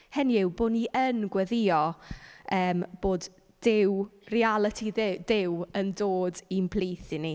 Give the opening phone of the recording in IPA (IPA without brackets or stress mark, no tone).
h